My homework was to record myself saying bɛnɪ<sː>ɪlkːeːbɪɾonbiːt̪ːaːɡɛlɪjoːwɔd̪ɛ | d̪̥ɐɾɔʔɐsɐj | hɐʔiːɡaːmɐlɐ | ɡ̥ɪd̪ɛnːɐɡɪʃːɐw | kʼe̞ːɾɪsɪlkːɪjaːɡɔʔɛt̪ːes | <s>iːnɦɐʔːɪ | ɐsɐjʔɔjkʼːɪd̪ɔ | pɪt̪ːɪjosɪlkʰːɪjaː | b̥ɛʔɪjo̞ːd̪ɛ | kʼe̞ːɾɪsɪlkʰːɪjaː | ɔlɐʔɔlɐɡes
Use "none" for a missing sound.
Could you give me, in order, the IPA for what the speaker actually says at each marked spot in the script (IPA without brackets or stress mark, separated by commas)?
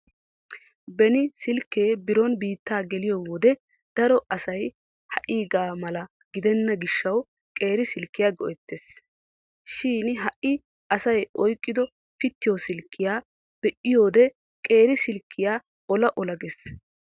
s, ʃ